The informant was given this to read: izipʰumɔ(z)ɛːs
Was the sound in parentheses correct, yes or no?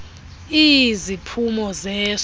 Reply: yes